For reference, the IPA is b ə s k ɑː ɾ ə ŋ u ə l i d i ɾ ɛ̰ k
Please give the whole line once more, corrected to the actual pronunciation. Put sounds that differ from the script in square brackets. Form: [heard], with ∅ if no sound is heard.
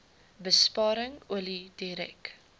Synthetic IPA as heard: b ə s [p] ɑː ɾ ə ŋ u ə l i d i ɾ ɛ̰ k